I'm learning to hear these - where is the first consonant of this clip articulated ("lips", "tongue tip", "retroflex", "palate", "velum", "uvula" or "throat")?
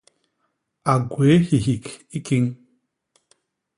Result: velum